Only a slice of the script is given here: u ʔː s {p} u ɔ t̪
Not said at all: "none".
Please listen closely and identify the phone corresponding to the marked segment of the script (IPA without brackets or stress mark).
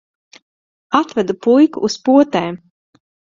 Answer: p